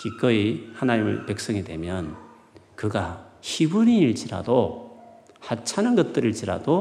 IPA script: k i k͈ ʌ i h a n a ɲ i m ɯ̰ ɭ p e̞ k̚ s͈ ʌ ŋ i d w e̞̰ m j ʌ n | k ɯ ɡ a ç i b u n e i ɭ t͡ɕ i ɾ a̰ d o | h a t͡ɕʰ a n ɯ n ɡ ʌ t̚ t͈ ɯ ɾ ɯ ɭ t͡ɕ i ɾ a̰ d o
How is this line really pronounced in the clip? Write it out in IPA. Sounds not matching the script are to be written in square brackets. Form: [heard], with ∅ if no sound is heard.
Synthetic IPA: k i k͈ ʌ i h a n a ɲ i m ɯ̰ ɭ p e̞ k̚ s͈ ʌ ŋ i d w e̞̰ m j ʌ n | k ɯ ɡ a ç i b u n [i] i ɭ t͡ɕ i ɾ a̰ d o | h a t͡ɕʰ a n ɯ n ɡ ʌ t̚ t͈ ɯ ɾ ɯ ɭ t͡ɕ i ɾ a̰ d o